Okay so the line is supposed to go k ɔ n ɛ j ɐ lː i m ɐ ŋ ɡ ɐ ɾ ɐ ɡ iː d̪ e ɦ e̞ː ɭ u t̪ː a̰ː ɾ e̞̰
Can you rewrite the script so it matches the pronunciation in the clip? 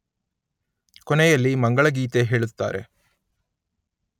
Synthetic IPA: k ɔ n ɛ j ɐ lː i m ɐ ŋ ɡ ɐ ɭ ɐ ɡ iː t̪ e ɦ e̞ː ɭ u t̪ː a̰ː ɾ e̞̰